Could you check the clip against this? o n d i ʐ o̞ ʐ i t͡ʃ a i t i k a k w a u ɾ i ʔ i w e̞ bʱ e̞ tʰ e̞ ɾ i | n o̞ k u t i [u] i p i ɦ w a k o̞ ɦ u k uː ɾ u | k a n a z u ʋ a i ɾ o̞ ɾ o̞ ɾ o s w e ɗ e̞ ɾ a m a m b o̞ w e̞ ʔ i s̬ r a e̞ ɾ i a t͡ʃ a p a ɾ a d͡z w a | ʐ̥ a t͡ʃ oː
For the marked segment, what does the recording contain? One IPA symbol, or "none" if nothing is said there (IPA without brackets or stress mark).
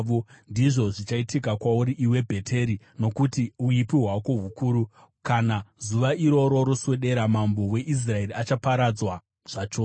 u